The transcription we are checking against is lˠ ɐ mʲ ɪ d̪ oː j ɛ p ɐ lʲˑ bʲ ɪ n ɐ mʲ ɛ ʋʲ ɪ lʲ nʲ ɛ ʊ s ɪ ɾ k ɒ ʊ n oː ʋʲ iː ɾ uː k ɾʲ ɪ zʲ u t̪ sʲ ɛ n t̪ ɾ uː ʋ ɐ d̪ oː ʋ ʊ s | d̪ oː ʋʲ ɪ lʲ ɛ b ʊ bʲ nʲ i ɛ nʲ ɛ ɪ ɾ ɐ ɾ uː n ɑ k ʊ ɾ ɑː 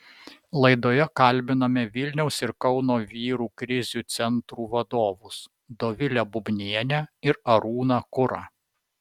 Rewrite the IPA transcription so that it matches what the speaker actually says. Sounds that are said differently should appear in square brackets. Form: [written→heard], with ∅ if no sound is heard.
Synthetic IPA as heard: lˠ ɐ [mʲ→∅] ɪ d̪ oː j ɛ [p→k] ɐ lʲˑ bʲ ɪ n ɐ mʲ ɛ ʋʲ ɪ lʲ nʲ ɛ ʊ s ɪ ɾ k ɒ ʊ n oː ʋʲ iː ɾ uː k ɾʲ ɪ zʲ u t̪ sʲ ɛ n t̪ ɾ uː ʋ ɐ d̪ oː ʋ ʊ s | d̪ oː ʋʲ ɪ lʲ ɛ b ʊ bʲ nʲ i ɛ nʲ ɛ ɪ ɾ ɐ ɾ uː n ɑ k ʊ ɾ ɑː

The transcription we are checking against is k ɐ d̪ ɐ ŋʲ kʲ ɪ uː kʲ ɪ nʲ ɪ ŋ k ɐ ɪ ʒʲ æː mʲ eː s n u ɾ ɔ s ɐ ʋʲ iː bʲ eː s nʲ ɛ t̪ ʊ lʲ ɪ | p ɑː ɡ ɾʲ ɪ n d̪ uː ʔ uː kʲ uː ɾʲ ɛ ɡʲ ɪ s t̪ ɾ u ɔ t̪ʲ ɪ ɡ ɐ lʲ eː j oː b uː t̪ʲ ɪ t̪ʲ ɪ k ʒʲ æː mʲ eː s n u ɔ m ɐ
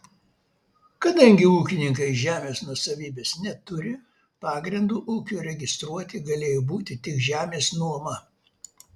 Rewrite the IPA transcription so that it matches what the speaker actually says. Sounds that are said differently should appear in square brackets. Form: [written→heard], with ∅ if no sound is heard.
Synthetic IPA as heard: k ɐ d̪ ɐ ŋʲ [kʲ→ɡʲ] ɪ uː kʲ ɪ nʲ ɪ ŋ k ɐ ɪ ʒʲ æː mʲ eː s n u [ɾ→∅] ɔ s ɐ ʋʲ iː bʲ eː s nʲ ɛ t̪ ʊ [lʲ→ɾʲ] ɪ | p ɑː ɡ ɾʲ ɪ n d̪ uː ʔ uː kʲ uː ɾʲ ɛ ɡʲ ɪ s t̪ ɾ u ɔ t̪ʲ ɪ ɡ ɐ lʲ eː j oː b uː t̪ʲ ɪ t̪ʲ ɪ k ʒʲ æː mʲ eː s n u ɔ m ɐ

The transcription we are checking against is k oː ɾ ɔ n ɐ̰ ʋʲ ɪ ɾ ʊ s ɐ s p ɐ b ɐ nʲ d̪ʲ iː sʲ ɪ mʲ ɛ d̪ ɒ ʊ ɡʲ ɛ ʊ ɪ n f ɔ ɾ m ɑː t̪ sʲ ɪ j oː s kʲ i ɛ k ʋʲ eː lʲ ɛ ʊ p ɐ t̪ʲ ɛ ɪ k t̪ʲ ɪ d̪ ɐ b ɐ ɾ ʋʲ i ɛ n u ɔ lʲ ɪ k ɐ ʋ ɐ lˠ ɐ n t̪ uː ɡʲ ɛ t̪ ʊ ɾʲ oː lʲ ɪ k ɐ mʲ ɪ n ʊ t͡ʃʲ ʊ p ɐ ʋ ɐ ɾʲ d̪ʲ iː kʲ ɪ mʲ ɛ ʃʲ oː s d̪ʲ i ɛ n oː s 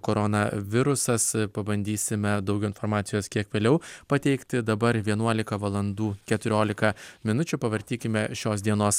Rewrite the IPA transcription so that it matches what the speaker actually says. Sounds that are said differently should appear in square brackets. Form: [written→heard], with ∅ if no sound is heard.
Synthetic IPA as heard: k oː ɾ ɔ n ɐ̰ ʋʲ ɪ ɾ ʊ s ɐ s p ɐ b ɐ nʲ d̪ʲ iː sʲ ɪ mʲ ɛ d̪ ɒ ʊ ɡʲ ɛ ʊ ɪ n f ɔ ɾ m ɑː t̪ sʲ ɪ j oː s kʲ i ɛ k ʋʲ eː lʲ ɛ ʊ p ɐ t̪ʲ ɛ ɪ k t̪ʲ ɪ d̪ ɐ b ɐ ɾ ʋʲ i ɛ n u ɔ lʲ ɪ k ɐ ʋ ɐ lˠ ɐ n [t̪→d̪] uː [ɡʲ→kʲ] ɛ t̪ ʊ ɾʲ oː lʲ ɪ k ɐ mʲ ɪ n ʊ t͡ʃʲ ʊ p ɐ ʋ ɐ ɾʲ [d̪ʲ→t̪ʲ] iː kʲ ɪ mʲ ɛ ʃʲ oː s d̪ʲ i ɛ n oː s

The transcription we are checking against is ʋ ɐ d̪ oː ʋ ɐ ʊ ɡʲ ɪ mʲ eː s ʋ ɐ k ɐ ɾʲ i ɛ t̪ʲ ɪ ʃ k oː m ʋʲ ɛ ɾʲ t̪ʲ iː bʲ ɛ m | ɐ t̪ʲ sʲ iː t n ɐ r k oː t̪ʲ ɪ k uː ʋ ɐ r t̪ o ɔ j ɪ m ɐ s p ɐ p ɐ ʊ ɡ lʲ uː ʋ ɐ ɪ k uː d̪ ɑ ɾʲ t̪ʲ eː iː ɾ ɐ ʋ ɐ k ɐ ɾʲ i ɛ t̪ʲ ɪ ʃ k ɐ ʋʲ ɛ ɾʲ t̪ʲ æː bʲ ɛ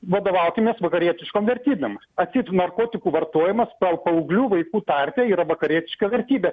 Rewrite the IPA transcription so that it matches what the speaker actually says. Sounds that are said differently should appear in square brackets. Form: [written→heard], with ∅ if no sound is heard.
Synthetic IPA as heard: ʋ ɐ d̪ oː ʋ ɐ ʊ [ɡʲ→kʲ] ɪ mʲ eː s ʋ ɐ k ɐ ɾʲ i ɛ t̪ʲ ɪ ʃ k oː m ʋʲ ɛ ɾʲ t̪ʲ iː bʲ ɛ m | ɐ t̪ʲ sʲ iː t n ɐ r k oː t̪ʲ ɪ k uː ʋ ɐ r t̪ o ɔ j ɪ m ɐ s p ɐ p ɐ ʊ ɡ lʲ uː ʋ ɐ ɪ k uː [d̪→t̪] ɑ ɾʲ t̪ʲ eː iː ɾ ɐ ʋ ɐ k ɐ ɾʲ i ɛ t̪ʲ ɪ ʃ k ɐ ʋʲ ɛ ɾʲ t̪ʲ [æː→iː] bʲ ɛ

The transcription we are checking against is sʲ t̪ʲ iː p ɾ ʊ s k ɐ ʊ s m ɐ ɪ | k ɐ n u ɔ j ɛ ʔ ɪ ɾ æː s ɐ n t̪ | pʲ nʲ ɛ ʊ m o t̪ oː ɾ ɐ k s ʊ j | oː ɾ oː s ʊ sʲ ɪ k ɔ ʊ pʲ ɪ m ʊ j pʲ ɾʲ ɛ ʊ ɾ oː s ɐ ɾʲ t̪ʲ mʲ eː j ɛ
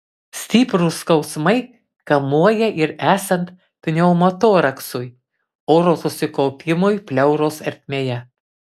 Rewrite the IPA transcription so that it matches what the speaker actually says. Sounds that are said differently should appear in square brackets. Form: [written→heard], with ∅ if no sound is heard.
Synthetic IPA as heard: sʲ t̪ʲ iː p ɾ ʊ s k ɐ ʊ s m ɐ ɪ | k ɐ [n→m] u ɔ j ɛ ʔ ɪ ɾ æː s ɐ n t̪ | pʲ nʲ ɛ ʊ m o t̪ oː ɾ ɐ k s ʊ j | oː ɾ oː s ʊ sʲ ɪ k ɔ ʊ pʲ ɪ m ʊ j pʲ [ɾʲ→lʲ] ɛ ʊ ɾ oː s ɐ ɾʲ t̪ʲ mʲ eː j ɛ

